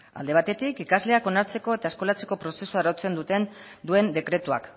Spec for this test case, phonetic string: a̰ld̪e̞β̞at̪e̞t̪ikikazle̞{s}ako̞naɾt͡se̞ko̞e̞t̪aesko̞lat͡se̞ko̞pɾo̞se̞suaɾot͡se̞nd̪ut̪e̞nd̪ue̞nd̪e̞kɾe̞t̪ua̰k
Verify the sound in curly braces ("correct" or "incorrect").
incorrect